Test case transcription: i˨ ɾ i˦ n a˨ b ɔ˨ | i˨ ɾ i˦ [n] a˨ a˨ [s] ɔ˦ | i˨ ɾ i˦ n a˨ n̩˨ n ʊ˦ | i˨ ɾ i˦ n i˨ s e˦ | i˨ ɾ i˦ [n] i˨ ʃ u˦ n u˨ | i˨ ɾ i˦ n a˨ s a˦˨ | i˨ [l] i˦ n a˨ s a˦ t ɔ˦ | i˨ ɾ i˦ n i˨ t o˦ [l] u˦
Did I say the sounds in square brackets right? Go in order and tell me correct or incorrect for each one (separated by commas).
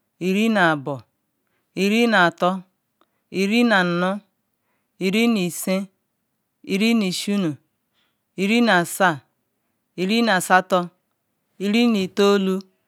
correct, incorrect, correct, incorrect, correct